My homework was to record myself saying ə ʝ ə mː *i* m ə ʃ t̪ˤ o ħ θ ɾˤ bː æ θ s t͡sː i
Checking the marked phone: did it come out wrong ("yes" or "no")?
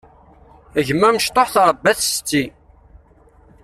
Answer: yes